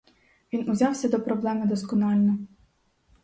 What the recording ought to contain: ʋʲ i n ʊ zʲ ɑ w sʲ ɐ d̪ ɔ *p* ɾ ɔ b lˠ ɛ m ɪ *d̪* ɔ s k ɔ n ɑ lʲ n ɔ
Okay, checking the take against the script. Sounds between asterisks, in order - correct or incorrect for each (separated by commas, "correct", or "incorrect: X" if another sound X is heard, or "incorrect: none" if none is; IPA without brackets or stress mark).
correct, correct